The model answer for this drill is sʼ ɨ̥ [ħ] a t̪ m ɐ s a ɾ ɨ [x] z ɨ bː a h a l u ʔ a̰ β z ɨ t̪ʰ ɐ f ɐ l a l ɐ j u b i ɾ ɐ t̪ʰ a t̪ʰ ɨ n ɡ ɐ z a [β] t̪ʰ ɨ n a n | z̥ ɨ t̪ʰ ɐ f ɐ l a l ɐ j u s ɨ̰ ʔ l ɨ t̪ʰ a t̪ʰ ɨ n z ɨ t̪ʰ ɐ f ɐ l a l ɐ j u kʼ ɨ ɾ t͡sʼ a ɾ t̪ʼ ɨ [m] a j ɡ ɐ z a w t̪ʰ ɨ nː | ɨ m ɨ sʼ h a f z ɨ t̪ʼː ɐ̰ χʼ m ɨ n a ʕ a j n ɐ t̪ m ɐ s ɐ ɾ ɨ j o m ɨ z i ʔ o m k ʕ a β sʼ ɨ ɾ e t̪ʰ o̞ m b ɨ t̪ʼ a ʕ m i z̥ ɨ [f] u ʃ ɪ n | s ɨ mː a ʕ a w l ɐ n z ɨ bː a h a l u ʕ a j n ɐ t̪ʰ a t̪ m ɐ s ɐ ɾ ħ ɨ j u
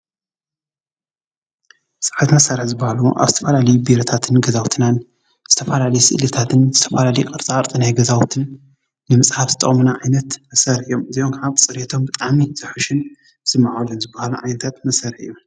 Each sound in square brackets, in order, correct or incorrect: correct, incorrect: ħ, incorrect: w, incorrect: n, incorrect: ħ

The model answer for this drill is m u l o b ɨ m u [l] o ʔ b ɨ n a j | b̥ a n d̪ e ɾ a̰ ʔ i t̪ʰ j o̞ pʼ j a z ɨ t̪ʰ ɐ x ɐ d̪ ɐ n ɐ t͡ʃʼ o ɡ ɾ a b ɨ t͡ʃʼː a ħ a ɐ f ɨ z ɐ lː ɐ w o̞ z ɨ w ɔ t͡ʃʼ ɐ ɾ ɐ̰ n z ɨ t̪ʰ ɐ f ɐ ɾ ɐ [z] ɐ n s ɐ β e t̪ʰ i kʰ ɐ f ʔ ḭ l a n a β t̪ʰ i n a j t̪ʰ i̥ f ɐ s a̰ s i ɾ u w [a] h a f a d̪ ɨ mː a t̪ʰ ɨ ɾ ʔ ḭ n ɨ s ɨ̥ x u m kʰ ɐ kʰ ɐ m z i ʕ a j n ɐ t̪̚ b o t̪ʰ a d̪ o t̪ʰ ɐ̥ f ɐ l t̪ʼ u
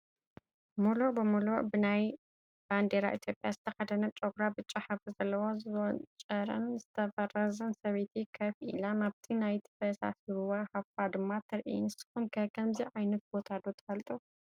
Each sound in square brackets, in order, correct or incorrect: correct, correct, correct

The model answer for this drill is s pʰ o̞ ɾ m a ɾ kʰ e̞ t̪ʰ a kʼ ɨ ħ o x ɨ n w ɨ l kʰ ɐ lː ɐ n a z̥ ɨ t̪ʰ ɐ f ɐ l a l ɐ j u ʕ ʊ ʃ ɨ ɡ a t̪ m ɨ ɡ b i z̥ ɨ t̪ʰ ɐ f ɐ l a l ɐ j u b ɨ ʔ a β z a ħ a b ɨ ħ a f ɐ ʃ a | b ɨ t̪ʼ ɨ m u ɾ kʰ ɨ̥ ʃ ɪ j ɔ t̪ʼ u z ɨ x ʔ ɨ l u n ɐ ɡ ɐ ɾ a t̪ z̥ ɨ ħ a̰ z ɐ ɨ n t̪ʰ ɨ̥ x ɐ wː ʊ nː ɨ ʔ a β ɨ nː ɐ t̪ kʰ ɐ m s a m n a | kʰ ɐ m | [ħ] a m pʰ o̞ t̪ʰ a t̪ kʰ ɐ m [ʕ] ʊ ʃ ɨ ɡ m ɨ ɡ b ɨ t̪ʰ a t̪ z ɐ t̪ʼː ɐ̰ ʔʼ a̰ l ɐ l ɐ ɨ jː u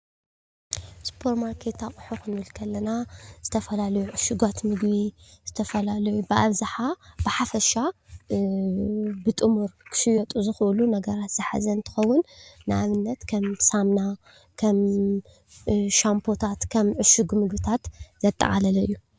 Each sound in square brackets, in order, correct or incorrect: incorrect: ʃ, correct

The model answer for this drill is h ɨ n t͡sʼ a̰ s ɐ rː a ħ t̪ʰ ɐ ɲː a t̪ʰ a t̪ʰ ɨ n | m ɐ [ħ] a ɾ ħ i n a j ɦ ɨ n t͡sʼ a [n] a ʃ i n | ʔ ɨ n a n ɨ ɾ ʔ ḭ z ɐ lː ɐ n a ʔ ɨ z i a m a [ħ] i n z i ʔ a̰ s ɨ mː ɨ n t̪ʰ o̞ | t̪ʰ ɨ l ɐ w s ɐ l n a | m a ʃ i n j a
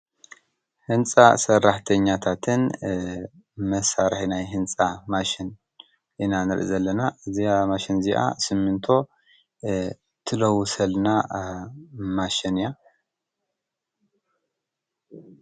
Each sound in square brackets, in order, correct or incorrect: incorrect: s, incorrect: m, incorrect: ʃ

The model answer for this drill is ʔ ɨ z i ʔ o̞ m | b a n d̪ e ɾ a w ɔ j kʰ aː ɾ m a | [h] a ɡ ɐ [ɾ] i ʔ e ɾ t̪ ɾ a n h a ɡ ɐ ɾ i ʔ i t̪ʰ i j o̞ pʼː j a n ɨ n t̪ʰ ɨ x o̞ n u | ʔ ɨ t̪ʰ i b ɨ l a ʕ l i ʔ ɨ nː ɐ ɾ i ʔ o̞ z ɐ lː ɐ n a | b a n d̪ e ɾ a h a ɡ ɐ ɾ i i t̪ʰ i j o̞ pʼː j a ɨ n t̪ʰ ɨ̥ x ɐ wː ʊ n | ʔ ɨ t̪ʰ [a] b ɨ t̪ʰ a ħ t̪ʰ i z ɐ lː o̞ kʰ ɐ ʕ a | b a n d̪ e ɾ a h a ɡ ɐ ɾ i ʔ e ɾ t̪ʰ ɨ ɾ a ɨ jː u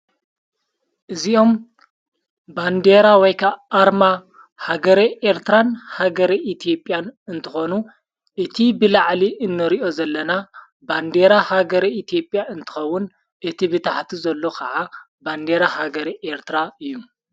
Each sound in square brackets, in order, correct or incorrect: correct, correct, incorrect: i

